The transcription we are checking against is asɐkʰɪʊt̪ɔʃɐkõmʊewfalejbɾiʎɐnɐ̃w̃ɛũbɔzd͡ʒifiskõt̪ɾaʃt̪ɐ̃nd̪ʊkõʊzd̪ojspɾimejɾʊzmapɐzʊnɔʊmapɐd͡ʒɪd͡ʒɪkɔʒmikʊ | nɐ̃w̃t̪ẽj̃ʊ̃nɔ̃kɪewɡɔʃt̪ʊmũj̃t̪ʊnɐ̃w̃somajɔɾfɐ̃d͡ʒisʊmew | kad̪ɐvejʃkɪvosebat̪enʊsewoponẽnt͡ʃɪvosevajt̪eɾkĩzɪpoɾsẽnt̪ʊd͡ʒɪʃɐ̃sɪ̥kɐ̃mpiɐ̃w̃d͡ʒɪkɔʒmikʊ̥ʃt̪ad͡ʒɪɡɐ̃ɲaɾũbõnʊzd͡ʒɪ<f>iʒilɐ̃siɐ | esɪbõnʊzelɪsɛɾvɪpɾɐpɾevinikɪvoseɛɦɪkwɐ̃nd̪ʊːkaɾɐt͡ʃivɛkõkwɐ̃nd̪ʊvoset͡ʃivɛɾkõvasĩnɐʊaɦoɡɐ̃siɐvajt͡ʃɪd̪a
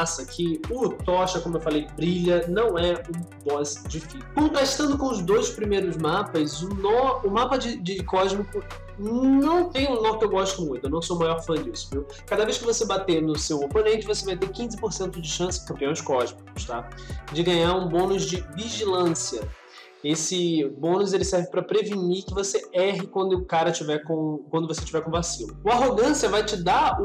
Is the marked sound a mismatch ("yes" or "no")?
yes